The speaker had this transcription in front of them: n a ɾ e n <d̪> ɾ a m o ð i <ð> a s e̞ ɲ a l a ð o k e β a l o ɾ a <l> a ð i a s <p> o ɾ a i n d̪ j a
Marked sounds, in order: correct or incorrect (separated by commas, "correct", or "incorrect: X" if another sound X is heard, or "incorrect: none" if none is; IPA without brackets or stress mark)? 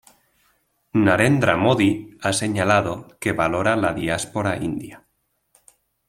correct, incorrect: none, correct, correct